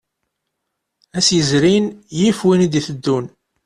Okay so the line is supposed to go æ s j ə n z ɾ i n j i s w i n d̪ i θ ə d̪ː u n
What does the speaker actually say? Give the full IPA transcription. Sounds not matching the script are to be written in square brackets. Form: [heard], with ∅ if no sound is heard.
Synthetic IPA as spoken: æ s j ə [∅] z ɾ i n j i [f] w i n d̪ i θ ə d̪ː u n